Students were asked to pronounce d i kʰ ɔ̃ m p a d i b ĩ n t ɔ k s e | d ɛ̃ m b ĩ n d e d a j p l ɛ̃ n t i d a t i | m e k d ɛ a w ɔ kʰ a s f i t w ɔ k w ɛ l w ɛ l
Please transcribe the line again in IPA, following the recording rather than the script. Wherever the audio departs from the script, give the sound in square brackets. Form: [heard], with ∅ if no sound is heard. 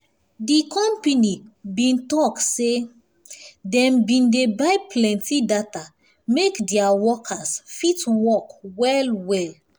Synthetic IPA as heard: d i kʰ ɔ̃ m p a [n] i b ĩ n t ɔ k s e | d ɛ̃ m b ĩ n d e [b] a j p l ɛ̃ n t i d a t [a] | m e k d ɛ a w ɔ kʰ a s f i t w ɔ k w ɛ l w ɛ l